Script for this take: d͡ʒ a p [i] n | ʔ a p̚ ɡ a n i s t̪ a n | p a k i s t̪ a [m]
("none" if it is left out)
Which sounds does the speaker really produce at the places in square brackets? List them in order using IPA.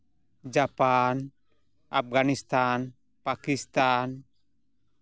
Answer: a, n

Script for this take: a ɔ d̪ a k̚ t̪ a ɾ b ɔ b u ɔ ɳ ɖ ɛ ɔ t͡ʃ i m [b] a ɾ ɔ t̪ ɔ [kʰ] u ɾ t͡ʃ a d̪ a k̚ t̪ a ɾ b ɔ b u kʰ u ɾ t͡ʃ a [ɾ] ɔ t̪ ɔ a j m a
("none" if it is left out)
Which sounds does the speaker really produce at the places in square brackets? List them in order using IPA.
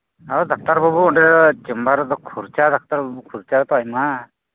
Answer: b, kʰ, ɾ

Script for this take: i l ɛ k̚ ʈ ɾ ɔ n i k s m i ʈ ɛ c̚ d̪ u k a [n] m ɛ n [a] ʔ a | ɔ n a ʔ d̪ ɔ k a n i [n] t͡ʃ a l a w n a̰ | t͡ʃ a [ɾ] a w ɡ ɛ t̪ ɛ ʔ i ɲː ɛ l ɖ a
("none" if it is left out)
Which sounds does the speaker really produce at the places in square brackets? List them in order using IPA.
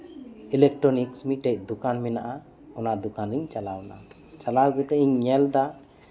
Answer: n, a, ɲ, l

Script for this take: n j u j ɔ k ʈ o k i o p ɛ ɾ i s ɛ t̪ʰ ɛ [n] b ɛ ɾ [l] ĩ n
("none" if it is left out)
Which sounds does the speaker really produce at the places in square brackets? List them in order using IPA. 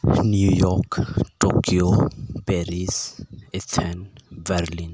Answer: n, l

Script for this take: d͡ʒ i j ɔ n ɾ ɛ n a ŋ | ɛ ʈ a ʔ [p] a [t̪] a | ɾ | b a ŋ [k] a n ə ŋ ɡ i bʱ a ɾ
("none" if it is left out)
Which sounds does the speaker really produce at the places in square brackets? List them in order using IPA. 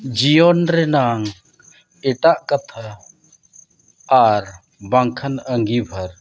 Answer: k, t̪ʰ, kʰ

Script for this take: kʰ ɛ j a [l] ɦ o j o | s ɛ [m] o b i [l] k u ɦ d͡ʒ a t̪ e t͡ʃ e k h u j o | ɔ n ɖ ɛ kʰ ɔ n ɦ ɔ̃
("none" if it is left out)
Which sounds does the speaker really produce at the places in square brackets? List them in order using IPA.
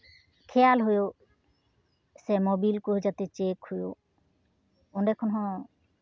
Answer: l, m, l

